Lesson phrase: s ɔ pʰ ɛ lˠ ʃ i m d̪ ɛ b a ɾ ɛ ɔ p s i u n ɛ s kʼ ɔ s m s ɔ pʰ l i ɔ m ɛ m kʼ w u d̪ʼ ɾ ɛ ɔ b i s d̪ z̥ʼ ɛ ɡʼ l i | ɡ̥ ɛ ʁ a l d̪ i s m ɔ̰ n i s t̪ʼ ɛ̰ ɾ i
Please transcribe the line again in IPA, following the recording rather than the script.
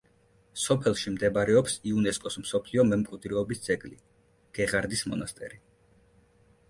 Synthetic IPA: s ɔ pʰ ɛ lˠ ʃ i m d̪ ɛ b a ɾ ɛ ɔ p s i u n ɛ s kʼ ɔ s m s ɔ pʰ l i ɔ m ɛ m kʼ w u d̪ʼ ɾ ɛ ɔ b i s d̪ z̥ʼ ɛ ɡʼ l i | ɡ̥ ɛ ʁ a ɾ d̪ i s m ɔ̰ n a s t̪ʼ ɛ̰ ɾ i